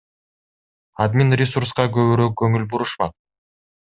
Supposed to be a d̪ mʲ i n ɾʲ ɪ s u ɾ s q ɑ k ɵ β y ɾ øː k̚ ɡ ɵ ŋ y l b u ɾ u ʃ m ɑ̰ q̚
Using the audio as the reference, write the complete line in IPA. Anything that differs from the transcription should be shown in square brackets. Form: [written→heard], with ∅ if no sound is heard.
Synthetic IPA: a d̪ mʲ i n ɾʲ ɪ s u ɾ s q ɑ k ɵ β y ɾ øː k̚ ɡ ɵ ŋ y l b u ɾ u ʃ m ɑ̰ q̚